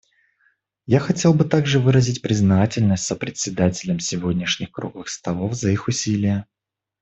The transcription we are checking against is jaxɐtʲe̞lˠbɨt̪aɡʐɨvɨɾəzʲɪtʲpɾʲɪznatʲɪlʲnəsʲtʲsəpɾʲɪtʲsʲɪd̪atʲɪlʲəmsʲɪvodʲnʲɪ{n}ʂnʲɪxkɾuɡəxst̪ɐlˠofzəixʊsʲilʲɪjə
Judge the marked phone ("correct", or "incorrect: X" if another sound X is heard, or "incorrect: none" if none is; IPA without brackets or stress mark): incorrect: none